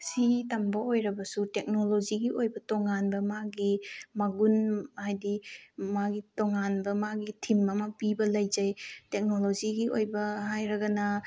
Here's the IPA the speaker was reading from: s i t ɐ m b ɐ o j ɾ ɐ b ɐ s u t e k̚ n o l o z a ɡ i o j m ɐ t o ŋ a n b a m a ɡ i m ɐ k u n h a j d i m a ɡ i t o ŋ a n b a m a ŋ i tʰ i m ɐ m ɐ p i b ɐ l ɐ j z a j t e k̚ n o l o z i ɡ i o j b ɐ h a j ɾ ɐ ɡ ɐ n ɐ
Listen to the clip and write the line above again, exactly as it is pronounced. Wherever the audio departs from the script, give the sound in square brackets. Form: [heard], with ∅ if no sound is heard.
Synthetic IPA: s i t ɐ m b ɐ o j ɾ ɐ b ɐ s u t e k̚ n o l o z [i] ɡ i o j [b] ɐ t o ŋ a n b [ɐ] m a ɡ i m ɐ [ɡ] u n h a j d i m a ɡ i t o ŋ a n b [ɐ] m a [ɡ] i tʰ i m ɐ m ɐ p i b ɐ l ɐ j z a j t e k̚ n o l o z i ɡ i o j b ɐ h a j ɾ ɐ ɡ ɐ n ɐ